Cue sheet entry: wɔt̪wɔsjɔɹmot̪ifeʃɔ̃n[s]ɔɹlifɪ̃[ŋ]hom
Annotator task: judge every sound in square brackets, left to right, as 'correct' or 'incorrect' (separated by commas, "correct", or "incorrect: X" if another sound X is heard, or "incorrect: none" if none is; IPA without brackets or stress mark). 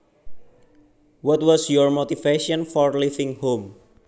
incorrect: f, correct